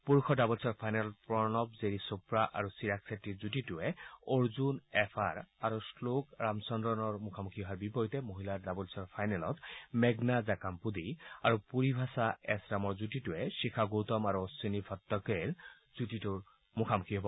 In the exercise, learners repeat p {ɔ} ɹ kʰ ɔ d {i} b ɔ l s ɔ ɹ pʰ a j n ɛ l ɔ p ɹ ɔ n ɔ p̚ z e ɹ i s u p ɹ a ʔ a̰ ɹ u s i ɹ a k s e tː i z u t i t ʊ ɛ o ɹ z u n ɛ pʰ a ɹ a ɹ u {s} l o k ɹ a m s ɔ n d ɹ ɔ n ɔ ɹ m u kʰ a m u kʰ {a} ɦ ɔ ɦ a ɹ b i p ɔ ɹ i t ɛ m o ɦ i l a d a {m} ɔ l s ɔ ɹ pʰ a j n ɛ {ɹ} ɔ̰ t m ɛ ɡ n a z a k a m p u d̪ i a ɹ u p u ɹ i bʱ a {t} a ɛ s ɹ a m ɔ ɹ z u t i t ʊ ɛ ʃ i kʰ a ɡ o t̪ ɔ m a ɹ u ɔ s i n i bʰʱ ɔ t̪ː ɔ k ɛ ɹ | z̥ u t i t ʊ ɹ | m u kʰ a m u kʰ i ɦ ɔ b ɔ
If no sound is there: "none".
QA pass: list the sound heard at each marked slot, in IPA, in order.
u, a, s, i, b, l, s

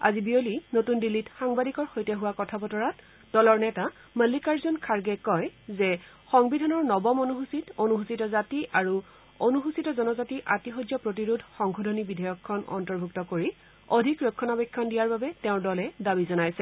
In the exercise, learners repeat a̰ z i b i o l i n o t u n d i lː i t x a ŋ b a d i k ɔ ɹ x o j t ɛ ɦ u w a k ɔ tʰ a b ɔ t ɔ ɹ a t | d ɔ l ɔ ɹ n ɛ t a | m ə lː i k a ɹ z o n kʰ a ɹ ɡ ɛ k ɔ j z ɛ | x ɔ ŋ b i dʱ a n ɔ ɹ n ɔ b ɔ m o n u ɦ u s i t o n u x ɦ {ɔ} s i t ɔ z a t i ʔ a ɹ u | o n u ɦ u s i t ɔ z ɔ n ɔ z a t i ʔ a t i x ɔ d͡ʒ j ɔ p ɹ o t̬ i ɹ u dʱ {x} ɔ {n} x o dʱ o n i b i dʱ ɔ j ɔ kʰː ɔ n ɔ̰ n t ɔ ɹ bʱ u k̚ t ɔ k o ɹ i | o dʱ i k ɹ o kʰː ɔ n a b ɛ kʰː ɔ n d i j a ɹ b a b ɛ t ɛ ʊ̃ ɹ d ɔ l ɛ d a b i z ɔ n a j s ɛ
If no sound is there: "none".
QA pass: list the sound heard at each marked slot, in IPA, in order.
u, x, ŋ

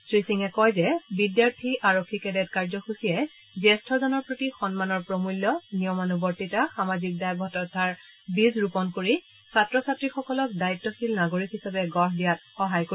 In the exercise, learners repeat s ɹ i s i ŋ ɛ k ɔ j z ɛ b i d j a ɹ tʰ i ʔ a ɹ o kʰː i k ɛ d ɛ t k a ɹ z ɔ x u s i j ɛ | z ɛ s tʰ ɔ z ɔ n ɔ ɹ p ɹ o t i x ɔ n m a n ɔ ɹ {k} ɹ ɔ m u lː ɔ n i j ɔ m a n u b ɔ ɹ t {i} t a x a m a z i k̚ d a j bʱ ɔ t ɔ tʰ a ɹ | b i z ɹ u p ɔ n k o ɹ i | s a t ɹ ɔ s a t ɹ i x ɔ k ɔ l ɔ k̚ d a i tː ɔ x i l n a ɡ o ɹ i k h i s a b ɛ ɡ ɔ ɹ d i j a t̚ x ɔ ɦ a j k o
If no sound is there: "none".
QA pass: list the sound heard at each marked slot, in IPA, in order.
p, i

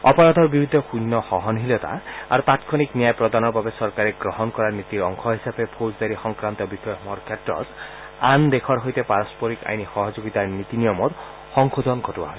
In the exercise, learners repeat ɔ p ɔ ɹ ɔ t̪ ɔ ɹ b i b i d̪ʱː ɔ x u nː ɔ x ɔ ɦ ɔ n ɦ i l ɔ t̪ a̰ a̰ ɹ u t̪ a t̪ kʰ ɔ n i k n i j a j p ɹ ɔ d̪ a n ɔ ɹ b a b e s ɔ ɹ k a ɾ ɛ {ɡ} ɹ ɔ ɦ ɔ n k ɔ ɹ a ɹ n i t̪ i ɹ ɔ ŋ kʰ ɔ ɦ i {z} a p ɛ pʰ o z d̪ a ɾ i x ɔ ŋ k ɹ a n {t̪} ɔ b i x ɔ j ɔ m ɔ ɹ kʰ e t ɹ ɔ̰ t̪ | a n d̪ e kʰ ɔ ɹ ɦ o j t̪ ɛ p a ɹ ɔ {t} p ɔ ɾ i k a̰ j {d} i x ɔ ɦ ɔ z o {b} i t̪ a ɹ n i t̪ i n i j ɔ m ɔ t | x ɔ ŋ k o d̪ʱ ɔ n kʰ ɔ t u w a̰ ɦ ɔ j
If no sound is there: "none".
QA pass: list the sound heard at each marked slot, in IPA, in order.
ɡ, s, t̪, s, n, ɡ

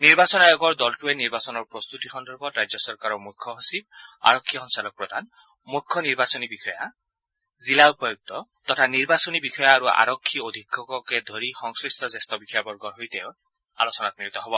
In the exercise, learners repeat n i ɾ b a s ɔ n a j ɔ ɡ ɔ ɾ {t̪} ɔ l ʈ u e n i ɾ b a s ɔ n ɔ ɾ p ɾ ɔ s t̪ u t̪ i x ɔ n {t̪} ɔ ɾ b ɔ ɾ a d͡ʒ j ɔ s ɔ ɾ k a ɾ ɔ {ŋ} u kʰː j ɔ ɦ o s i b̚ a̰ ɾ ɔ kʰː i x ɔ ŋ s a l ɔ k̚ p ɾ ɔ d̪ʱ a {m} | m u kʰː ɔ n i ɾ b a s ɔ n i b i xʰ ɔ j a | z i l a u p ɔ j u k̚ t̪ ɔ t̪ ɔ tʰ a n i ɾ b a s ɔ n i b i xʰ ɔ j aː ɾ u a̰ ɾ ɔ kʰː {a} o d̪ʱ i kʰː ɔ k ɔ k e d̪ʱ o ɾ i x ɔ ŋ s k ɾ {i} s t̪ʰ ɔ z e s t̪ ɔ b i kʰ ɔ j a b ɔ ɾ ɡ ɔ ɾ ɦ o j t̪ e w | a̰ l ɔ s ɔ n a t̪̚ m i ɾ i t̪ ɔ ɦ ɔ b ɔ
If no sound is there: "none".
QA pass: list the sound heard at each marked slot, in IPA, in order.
d̪, d̪, m, n, i, i

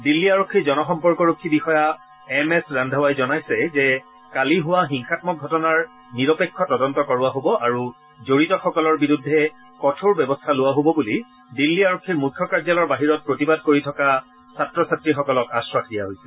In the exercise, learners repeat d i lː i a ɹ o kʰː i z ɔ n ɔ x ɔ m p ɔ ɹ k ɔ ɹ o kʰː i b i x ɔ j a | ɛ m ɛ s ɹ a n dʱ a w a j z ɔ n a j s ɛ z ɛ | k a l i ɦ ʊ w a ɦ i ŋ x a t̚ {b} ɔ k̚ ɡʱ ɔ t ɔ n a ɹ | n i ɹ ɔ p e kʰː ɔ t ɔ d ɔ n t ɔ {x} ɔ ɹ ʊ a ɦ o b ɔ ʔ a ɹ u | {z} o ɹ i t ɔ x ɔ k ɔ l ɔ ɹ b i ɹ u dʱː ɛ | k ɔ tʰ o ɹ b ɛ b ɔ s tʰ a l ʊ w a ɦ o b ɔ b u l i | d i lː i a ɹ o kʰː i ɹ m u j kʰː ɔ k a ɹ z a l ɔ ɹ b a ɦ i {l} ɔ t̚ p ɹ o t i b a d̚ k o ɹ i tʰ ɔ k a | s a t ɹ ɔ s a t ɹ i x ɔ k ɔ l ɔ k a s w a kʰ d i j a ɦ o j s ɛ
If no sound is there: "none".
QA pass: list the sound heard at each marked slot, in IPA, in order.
m, k, z, ɹ

